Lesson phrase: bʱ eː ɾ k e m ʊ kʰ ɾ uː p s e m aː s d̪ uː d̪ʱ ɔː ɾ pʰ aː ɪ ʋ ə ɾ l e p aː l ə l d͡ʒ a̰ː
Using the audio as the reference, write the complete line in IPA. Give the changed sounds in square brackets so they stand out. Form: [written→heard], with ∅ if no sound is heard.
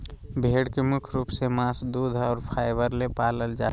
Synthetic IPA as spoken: bʱ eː [ɾ→ɽ] k e m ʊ kʰ ɾ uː p s e m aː s d̪ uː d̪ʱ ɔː ɾ pʰ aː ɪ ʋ ə ɾ l e p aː l ə l d͡ʒ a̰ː